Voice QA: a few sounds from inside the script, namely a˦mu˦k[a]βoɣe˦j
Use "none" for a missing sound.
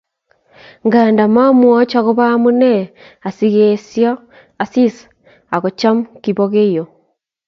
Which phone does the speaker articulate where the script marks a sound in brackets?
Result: i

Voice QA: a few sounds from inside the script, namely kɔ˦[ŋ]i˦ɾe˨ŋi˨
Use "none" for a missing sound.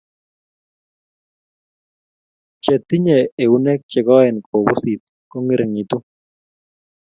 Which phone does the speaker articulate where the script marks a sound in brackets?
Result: ŋ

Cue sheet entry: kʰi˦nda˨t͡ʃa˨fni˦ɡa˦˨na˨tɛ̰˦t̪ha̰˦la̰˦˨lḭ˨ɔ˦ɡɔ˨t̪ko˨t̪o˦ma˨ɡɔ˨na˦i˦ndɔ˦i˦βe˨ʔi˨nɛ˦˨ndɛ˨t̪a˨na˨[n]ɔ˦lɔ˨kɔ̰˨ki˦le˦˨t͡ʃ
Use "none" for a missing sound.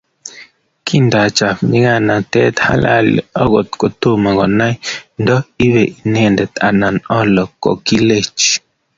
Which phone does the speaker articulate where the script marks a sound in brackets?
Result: n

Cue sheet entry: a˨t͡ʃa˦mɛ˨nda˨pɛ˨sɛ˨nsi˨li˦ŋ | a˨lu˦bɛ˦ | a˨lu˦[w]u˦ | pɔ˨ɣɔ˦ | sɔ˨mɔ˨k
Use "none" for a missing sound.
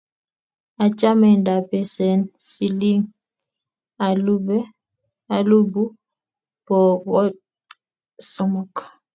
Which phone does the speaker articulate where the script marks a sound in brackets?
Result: b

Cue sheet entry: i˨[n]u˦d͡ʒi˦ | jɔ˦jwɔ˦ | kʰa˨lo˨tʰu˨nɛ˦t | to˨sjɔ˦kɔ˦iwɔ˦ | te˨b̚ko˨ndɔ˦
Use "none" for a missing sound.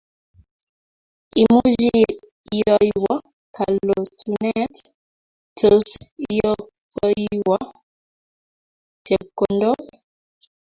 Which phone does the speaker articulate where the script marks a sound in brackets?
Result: m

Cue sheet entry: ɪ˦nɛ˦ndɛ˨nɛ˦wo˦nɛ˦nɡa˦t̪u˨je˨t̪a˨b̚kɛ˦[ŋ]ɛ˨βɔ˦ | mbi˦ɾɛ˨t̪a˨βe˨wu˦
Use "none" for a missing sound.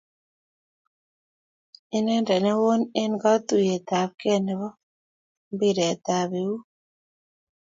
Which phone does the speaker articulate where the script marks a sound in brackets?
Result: n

